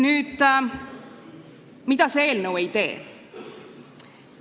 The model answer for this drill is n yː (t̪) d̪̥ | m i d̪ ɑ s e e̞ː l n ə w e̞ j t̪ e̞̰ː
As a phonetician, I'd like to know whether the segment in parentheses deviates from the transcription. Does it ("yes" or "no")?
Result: yes